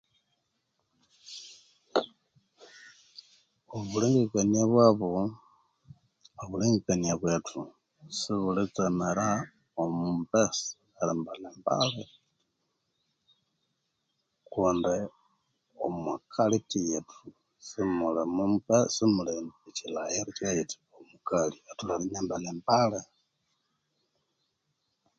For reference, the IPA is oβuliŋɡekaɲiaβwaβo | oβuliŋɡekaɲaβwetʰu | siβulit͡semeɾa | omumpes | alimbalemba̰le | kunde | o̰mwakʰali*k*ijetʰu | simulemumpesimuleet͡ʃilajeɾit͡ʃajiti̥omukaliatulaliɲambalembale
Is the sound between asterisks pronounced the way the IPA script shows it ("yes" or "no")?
no